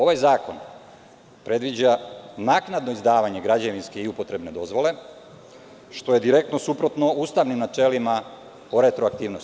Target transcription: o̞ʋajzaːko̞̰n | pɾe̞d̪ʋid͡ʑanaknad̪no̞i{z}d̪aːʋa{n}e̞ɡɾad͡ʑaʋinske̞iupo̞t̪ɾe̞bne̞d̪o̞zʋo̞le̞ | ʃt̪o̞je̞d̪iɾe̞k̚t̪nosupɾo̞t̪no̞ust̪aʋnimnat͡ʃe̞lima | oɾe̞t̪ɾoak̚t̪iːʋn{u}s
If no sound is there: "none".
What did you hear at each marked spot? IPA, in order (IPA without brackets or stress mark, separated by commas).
z, ɲ, o